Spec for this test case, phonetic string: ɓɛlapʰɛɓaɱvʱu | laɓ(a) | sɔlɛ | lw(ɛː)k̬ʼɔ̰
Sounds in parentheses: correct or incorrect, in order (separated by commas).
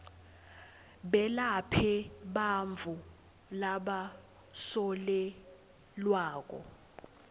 correct, incorrect